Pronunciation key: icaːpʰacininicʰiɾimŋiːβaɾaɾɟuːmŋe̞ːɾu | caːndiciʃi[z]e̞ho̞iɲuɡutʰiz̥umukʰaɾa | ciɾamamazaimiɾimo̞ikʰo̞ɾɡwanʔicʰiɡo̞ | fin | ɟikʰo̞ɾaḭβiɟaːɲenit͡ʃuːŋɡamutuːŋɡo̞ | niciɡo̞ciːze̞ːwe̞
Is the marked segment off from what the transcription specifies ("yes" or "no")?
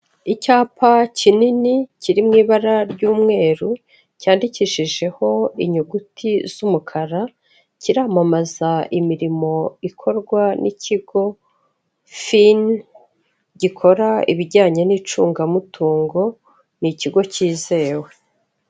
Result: yes